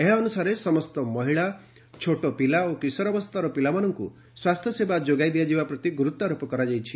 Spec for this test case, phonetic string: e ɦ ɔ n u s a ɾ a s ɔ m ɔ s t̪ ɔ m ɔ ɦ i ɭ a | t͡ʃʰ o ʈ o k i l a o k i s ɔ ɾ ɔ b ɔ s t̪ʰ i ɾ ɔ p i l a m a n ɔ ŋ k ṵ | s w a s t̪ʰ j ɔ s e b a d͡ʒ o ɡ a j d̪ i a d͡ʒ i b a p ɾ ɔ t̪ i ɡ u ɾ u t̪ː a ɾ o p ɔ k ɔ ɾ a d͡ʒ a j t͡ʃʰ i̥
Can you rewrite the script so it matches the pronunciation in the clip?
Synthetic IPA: e ɦ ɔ n u s a ɾ e s ɔ m ɔ s t̪ ɔ m ɔ ɦ i ɭ a | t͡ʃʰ o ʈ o p i l a o k i s ɔ ɾ ɔ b ɔ s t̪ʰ a ɾ ɔ p i l a m a n ɔ ŋ k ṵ | s w a s t̪ʰ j ɔ s e b a d͡ʒ o ɡ a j d̪ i a d͡ʒ i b a p ɾ ɔ t̪ i ɡ u ɾ u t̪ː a ɾ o p ɔ k ɔ ɾ a d͡ʒ a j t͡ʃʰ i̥

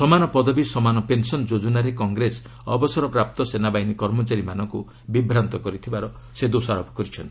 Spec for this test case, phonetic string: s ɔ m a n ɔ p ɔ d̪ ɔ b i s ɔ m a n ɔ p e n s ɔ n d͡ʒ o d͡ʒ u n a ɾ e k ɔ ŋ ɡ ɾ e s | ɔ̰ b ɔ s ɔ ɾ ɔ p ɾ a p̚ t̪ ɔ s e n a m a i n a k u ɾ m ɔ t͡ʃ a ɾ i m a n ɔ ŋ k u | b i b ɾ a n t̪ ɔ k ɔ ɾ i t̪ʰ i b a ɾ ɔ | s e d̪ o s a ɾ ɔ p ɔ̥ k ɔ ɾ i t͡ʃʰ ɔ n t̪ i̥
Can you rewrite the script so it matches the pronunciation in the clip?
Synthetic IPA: s ɔ m a n ɔ p ɔ d̪ ɔ b i s ɔ m a n ɔ p e n s ɔ n d͡ʒ o d͡ʒ u n a ɾ e k ɔ ŋ ɡ ɾ e s | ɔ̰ b ɔ s ɔ ɾ ɔ p ɾ a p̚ t̪ ɔ s e n a b a i n i k ɔ ɾ m ɔ t͡ʃ a ɾ i m a n ɔ ŋ k u | b i b ɾ a n t̪ ɔ k ɔ ɾ i t̪ʰ i b a ɾ ɔ | s e d̪ o s a ɾ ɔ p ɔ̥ k ɔ ɾ i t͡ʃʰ ɔ n t̪ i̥

